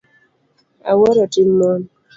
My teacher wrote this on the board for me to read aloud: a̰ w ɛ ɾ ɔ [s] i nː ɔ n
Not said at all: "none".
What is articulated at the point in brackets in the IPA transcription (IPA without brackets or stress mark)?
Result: t